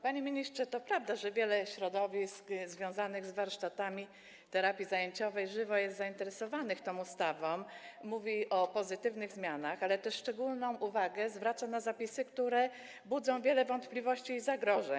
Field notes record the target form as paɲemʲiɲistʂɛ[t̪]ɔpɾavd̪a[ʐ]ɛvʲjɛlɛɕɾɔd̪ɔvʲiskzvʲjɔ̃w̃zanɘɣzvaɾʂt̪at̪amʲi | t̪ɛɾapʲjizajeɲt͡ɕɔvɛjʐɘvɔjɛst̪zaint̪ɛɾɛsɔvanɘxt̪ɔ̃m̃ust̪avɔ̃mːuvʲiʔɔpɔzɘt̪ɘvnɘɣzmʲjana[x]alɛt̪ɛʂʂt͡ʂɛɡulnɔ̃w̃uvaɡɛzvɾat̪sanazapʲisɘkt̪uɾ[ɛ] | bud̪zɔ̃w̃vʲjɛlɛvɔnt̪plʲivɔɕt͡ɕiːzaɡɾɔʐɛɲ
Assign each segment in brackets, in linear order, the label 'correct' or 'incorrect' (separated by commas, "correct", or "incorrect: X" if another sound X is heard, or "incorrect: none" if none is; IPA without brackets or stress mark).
correct, correct, correct, correct